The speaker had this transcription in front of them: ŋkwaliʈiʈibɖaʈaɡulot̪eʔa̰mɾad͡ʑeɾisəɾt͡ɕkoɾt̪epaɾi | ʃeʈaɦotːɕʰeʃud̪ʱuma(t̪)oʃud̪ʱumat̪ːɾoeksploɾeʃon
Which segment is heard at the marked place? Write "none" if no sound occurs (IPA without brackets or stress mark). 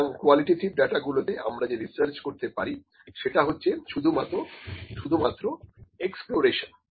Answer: t̪